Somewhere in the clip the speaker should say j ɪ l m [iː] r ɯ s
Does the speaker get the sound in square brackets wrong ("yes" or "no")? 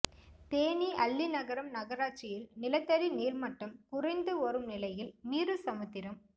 no